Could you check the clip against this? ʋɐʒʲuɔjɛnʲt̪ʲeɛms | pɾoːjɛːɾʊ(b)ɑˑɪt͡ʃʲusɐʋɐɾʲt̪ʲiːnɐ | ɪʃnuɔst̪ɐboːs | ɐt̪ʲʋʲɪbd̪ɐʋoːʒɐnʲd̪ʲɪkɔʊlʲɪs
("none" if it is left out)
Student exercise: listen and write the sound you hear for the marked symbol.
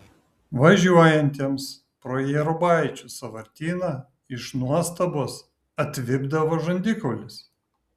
b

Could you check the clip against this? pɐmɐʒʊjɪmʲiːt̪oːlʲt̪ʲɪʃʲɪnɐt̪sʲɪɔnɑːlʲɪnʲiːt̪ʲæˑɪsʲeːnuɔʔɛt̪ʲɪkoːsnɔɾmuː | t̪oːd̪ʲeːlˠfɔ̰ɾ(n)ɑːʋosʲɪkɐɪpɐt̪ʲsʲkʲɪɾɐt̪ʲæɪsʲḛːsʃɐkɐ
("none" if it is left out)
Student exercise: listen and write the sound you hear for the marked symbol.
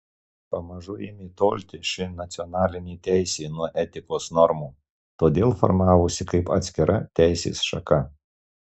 m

